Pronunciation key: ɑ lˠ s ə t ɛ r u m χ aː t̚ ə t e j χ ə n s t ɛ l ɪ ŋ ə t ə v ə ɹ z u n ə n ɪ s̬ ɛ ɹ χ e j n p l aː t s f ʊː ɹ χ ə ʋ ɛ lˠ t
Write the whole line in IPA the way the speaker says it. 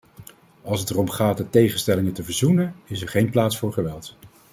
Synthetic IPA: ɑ lˠ s ə t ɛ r ɔ m χ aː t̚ ə t e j χ ə n s t ɛ l ɪ ŋ ə t ə v ə ɹ z u n ə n ɪ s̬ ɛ ɹ χ e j n p l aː t s f ʊː ɹ χ ə ʋ ɛ lˠ t